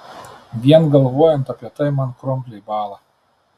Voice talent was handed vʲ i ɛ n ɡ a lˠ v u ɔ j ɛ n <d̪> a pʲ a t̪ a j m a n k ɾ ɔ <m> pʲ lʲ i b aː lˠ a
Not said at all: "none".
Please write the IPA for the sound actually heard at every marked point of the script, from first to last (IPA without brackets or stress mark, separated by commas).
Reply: t̪, m